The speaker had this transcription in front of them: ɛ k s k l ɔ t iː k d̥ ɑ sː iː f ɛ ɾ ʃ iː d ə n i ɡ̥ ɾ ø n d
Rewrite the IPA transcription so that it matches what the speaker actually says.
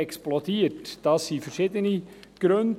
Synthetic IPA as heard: ɛ k s p l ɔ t iː t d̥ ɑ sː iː f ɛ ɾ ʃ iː d ə n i ɡ̥ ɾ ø n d

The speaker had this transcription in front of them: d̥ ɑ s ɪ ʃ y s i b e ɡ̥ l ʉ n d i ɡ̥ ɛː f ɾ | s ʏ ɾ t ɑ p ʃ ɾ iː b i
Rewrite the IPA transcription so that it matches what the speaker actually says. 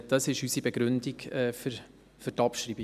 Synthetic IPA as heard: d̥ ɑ s ɪ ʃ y s i b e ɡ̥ ɾ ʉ n d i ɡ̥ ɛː f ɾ | f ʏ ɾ t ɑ p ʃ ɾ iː b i

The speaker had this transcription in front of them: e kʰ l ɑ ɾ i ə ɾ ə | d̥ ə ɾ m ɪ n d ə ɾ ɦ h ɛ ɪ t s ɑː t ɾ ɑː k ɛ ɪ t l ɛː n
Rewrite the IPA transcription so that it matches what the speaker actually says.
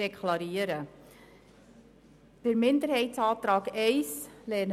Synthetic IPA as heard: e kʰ l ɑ ɾ i ə ɾ ə | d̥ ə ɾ m ɪ n d ə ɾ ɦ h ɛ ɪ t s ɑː t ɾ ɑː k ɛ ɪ s l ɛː n

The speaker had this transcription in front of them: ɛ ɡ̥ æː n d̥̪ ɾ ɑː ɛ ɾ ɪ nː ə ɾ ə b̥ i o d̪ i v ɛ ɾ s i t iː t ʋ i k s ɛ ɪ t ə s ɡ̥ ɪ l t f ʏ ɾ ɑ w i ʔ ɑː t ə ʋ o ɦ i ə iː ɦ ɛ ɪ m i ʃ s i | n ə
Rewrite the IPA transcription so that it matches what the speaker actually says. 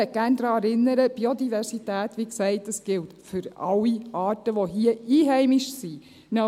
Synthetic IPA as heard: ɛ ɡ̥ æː n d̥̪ ɾ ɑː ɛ ɾ ɪ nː ə ɾ ə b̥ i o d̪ i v ɛ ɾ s i t æː t ʋ i k s ɛ ɪ t ə s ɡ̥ ɪ l t f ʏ ɾ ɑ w i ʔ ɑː t ə ʋ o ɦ i ə iː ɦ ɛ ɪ m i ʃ s i | n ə

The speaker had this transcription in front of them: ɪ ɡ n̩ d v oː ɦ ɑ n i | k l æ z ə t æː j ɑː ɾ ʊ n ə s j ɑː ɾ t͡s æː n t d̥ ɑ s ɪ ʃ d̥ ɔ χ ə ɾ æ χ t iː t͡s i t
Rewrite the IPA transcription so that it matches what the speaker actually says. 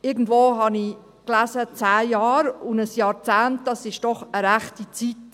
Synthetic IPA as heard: ɪ ɡ n̩ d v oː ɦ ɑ n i | k l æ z ə t͡s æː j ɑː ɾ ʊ n ə s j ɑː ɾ t͡s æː n t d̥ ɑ s ɪ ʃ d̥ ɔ χ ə ɾ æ χ t i t͡s i t

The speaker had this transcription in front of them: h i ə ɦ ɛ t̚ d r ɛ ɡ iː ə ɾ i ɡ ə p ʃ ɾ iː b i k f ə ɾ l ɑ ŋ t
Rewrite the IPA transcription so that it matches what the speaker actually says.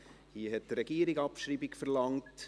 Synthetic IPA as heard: h i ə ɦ ɛ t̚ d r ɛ ɡ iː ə ɾ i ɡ ɑ p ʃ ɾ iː b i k f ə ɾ l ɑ ŋ t

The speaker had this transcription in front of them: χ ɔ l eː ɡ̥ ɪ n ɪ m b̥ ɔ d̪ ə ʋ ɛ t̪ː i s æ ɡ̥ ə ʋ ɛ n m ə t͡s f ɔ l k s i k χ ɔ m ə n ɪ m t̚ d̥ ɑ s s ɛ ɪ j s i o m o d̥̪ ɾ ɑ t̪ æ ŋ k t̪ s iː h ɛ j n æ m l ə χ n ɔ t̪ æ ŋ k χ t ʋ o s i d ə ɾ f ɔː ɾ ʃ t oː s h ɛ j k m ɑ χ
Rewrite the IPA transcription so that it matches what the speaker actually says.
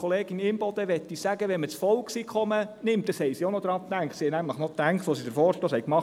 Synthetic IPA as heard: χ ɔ l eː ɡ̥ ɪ n ɪ m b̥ ɔ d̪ ə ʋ ɛ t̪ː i s æ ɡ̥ ə ʋ ɛ n m ə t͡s f ɔ l k s i k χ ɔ m ə n ɪ m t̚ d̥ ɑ s h ɛ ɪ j s i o n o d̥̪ ɾ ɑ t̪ æ ŋ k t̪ s i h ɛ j n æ m l ə χ n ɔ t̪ æ ŋ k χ t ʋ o s i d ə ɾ f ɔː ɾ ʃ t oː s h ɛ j k m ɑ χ

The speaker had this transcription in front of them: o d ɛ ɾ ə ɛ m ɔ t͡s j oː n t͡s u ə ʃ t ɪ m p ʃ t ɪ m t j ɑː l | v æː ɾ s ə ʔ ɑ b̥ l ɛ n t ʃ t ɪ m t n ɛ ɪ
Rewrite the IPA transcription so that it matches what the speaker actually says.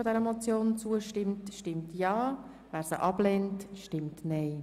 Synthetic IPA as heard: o d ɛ ɾ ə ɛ m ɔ t͡s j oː n t͡s u ə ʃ t ɪ m t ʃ t ɪ m t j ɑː | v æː ɾ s ə ʔ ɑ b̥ l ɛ n t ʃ t ɪ m t n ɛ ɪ

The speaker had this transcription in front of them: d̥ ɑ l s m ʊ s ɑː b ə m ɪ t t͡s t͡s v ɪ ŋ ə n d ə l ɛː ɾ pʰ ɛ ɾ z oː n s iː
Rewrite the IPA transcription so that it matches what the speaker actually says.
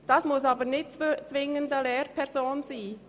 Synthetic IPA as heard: d̥ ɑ s m ʊ s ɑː b ə n ɪ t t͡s t͡s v ɪ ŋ ə n d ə l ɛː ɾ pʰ ɛ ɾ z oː n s iː

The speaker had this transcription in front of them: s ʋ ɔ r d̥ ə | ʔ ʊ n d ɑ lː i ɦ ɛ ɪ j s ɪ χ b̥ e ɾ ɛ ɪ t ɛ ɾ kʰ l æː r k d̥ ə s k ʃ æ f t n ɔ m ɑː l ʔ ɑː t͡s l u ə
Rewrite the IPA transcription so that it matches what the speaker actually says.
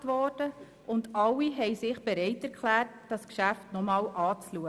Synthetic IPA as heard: t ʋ ɔ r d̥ ə | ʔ ʊ n d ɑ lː i ɦ ɛ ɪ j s ɪ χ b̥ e ɾ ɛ ɪ t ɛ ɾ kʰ l æː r t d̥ ɑ s k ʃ æ f t n ɔ m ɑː l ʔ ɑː t͡s l u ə

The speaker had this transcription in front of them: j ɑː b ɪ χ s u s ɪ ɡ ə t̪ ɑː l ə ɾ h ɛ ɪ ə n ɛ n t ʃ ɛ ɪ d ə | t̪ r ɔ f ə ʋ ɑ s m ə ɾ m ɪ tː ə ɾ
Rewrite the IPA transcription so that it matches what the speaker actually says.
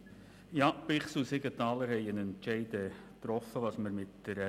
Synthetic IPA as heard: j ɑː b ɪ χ s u s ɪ ɡ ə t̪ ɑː l ə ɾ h ɛ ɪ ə n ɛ n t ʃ ɛ ɪ d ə | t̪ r ɔ f ə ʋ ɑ s m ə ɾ m ɪ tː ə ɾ

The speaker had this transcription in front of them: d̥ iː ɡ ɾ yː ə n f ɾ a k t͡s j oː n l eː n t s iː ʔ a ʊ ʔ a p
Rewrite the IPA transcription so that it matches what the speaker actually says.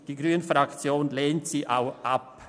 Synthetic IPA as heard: d̥ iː ɡ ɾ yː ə n f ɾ a k t͡s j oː n l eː n t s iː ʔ a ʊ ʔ a p

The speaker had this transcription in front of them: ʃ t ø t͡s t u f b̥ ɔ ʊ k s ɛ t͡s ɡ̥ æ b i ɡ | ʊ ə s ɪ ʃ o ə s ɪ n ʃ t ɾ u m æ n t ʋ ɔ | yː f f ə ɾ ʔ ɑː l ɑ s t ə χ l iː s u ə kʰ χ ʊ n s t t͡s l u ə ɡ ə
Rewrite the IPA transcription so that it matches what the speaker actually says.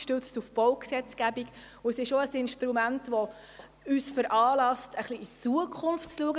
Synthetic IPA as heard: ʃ t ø t͡s t u f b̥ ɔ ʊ k s ɛ t͡s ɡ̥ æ b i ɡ | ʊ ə s ɪ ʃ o ə s ɪ n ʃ t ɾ u m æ n t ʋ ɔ | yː s f ə ɾ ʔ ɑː l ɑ s t ə χ l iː t͡s u ə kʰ χ ʊ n f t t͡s l u ə ɡ ə

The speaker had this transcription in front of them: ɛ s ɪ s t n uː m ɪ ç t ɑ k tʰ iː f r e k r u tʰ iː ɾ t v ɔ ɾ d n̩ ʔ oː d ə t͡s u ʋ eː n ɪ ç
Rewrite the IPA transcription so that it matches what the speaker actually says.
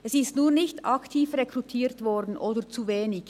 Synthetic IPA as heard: ɛ s ɪ s t n uː n ɪ ç t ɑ k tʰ iː f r e k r u tʰ iː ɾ t v ɔ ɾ d n̩ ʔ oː d ə t͡s u v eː n ɪ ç

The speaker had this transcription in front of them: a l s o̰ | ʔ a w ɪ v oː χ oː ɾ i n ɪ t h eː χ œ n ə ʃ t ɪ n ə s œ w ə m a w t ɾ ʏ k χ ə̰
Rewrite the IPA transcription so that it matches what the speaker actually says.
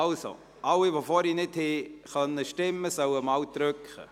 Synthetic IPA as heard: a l s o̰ | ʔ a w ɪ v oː f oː ɾ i n ɪ t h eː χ œ n ə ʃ t ɪ m ə s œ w ə m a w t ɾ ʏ k χ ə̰

